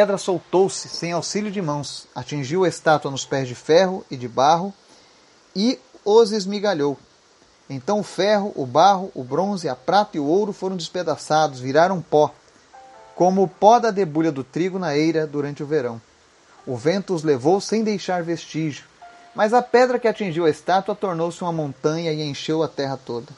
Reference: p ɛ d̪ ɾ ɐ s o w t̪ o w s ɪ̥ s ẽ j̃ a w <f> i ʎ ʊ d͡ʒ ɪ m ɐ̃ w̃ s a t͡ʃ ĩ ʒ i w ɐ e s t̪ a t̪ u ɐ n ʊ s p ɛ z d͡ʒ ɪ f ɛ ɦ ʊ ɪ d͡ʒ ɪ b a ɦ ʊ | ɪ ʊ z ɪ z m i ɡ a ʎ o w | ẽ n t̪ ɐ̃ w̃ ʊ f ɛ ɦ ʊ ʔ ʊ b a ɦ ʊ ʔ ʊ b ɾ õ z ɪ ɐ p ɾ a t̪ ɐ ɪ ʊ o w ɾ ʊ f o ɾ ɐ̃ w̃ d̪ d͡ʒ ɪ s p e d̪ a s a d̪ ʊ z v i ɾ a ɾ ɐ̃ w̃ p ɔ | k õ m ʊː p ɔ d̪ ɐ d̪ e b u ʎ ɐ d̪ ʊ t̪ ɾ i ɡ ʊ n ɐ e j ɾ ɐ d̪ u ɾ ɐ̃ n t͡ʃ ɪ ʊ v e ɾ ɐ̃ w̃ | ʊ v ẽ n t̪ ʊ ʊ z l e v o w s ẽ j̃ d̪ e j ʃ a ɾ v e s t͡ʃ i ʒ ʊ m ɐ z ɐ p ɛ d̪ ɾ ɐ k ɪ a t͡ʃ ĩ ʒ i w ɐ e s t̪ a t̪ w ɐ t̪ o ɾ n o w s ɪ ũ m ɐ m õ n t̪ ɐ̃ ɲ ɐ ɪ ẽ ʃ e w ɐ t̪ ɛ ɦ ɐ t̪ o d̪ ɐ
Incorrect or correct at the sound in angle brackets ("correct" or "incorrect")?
incorrect